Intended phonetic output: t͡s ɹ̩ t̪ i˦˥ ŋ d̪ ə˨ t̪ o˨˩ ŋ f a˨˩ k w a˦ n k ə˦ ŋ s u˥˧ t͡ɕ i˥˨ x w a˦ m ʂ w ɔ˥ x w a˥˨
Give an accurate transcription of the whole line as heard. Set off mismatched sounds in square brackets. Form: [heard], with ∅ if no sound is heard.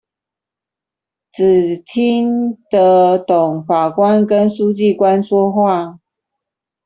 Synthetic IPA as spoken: t͡s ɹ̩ [t̪ʰ] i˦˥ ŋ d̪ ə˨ t̪ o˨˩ ŋ f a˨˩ k w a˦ n k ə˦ [n] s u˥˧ t͡ɕ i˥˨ [k] w a˦ [n] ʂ w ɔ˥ x w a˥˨